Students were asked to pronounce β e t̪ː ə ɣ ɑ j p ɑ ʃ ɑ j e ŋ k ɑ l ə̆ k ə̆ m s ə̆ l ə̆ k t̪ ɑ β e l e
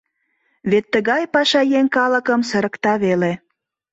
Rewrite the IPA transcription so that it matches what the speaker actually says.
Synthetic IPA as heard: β e t̪ː ə ɣ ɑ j p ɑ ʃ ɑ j e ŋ k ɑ l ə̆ k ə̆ m s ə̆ ɾ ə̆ k t̪ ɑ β e l e